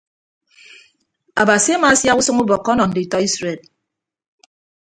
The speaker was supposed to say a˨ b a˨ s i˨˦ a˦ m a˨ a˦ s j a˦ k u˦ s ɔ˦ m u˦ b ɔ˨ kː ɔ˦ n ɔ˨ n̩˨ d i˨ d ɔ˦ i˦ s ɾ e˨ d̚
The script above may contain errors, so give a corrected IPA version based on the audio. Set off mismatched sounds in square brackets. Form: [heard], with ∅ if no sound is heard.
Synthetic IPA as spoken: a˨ b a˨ s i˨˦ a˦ m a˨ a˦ s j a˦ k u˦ s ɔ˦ [ŋ] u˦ b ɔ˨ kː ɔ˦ n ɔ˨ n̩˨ d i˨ [t] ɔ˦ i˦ s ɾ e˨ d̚